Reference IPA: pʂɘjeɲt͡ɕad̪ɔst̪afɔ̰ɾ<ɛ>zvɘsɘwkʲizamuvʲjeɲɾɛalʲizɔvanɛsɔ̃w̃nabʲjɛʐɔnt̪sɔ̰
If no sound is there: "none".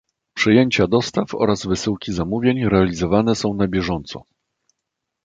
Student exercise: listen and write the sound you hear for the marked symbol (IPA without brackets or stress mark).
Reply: a